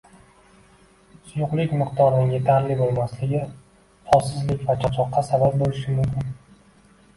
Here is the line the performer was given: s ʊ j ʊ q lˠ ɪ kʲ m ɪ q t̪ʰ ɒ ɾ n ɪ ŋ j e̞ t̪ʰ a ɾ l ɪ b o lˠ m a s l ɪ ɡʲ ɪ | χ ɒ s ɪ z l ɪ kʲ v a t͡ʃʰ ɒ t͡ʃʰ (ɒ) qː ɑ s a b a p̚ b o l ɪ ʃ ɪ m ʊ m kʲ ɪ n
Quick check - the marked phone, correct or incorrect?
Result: correct